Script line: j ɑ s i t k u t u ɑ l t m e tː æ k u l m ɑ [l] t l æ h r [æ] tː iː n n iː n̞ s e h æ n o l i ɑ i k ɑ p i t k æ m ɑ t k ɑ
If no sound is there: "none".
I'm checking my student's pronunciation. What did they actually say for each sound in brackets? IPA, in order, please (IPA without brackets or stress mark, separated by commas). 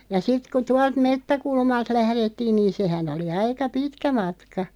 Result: l, e